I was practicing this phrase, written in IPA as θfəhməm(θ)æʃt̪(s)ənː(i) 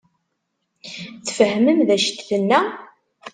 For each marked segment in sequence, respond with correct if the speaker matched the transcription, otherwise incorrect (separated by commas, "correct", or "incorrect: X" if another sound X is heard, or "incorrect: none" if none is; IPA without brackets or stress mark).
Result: incorrect: ð, incorrect: θ, incorrect: æ